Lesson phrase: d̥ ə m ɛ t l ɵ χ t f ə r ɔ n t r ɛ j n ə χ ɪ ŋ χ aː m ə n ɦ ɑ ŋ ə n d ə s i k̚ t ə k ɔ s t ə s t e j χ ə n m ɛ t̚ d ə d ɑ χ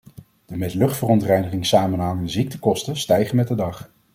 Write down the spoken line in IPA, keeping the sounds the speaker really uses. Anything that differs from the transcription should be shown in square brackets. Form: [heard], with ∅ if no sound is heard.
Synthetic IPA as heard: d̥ ə m ɛ t l ɵ χ t f ə r ɔ n t r ɛ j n ə χ ɪ ŋ [s] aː m ə n ɦ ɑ ŋ ə n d ə [z] i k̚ t ə k ɔ s t ə s t [ɛ] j χ ə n m ɛ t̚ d ə d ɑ χ